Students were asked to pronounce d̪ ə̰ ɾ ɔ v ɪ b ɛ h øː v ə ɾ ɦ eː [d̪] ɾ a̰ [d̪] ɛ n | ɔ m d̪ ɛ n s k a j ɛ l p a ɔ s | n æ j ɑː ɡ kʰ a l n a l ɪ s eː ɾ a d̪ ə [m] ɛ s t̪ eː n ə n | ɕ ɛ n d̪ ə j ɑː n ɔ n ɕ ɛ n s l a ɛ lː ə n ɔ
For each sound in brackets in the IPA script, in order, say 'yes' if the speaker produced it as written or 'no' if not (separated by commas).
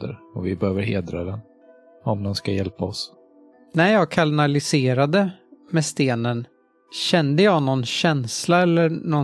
yes, yes, yes